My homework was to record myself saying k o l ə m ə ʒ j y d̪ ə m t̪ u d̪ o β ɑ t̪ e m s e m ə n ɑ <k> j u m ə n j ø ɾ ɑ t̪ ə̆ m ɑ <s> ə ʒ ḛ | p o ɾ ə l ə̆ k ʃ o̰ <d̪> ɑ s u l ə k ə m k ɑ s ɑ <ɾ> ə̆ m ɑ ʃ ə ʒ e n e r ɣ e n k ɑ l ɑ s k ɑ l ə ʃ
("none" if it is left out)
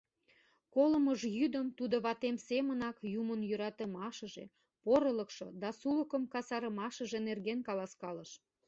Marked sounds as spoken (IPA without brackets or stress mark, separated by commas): k, ʃ, d̪, ɾ